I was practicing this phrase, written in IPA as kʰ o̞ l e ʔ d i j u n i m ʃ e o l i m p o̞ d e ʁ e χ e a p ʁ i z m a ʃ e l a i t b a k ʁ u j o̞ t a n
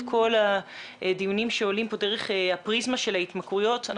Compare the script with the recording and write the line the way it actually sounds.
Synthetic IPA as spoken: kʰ o̞ l a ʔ d i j u n i m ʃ e o l i m p o̞ d e ʁ e χ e a p ʁ i z m a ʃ e l a i t m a k ʁ u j o̞ t a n